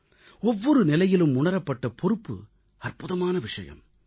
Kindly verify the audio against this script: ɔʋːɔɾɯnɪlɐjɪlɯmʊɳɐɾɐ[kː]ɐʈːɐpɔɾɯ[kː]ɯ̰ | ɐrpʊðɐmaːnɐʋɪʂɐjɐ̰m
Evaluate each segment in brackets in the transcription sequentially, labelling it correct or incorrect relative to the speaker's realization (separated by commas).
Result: incorrect, incorrect